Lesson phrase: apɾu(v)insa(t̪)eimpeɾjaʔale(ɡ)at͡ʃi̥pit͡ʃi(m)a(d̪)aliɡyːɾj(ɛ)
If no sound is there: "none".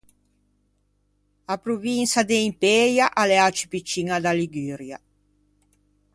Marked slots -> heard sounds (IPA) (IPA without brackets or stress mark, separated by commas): v, d̪, none, ŋ, d̪, a